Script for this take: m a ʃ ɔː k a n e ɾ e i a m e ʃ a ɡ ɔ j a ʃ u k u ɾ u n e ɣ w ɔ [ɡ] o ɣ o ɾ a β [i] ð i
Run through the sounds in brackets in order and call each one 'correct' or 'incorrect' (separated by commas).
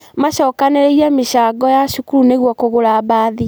incorrect, incorrect